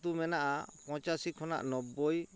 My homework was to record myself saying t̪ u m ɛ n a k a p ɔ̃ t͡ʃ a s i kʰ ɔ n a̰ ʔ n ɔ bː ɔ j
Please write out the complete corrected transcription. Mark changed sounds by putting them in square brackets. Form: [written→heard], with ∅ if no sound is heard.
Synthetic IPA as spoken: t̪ u m ɛ n a [k→ʔ] a p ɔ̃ t͡ʃ a s i kʰ ɔ n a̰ ʔ n ɔ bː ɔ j